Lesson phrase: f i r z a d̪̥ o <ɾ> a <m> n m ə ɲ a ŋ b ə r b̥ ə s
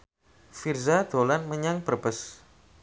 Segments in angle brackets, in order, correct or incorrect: incorrect: l, incorrect: none

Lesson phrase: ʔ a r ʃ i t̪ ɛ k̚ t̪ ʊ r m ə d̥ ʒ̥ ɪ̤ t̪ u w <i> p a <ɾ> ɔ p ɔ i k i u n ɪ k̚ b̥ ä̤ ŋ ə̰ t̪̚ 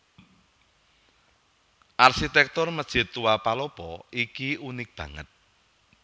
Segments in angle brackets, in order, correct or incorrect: incorrect: a, incorrect: l

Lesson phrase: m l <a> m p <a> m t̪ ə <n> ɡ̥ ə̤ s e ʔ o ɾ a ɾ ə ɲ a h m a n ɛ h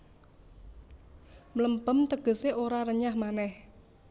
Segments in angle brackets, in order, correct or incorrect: incorrect: ə, incorrect: ə, incorrect: none

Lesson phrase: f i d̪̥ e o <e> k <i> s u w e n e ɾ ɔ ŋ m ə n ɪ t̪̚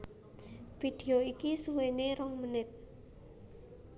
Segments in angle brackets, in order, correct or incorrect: incorrect: i, correct

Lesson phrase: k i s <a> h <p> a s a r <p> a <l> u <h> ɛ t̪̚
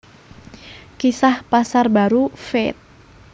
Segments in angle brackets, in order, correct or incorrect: correct, correct, incorrect: b, incorrect: ɾ, incorrect: f

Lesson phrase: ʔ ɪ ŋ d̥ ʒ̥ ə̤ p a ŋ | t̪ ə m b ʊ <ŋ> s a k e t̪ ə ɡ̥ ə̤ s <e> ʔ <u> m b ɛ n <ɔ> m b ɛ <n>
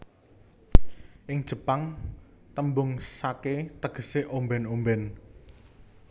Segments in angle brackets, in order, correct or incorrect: correct, correct, incorrect: o, incorrect: o, correct

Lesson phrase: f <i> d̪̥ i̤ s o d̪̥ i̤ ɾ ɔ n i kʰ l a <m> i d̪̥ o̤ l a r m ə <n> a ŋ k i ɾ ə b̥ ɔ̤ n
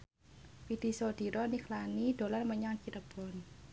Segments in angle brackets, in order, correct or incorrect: correct, incorrect: n, incorrect: ɲ

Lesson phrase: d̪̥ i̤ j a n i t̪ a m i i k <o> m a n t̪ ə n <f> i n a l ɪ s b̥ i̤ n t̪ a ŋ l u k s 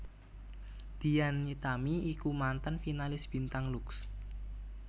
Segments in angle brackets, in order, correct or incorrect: incorrect: u, correct

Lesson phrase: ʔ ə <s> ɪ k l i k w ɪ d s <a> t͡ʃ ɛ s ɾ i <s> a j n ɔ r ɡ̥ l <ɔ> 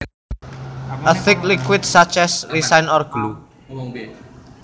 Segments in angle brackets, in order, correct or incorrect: incorrect: θ, correct, correct, incorrect: u

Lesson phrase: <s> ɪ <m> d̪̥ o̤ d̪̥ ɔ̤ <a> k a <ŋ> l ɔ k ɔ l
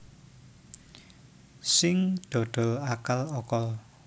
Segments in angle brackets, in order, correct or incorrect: correct, incorrect: ŋ, correct, incorrect: none

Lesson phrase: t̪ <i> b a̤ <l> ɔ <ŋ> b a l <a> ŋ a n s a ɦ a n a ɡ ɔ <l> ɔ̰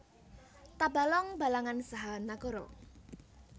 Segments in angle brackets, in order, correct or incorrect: incorrect: a, correct, correct, correct, incorrect: ɾ

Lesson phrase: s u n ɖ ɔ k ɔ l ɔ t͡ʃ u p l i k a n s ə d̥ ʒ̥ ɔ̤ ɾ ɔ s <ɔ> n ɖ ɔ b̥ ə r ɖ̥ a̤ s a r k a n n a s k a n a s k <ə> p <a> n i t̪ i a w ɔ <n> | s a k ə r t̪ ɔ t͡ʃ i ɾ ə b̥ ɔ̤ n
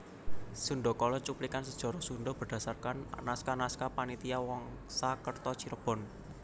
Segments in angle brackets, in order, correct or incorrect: incorrect: u, incorrect: a, correct, incorrect: ŋ

